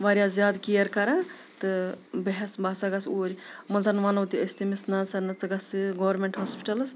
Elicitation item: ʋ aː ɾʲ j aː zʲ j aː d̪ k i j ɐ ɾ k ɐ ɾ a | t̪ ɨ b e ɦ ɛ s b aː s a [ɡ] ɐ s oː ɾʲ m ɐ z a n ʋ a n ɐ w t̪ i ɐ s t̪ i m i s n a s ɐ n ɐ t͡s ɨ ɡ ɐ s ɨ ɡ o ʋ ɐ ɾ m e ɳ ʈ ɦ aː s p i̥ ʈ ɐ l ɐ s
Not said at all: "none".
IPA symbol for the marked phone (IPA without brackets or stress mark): ɡ